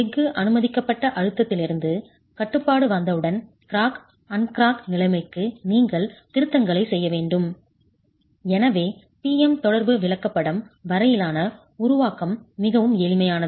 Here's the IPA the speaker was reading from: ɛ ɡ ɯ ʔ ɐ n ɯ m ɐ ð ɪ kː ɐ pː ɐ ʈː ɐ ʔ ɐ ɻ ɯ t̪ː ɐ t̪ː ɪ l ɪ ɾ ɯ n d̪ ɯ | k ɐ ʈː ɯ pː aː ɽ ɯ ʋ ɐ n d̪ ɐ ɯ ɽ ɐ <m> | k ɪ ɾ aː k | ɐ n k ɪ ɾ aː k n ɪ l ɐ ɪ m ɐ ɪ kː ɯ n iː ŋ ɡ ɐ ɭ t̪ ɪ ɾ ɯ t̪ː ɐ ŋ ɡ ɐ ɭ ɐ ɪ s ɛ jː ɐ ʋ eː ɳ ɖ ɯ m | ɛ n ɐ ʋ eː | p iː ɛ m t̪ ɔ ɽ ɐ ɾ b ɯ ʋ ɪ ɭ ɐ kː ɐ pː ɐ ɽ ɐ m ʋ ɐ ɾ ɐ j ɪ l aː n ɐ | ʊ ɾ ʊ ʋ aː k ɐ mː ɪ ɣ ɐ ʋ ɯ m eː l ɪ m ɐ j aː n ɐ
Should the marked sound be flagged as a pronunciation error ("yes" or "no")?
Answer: yes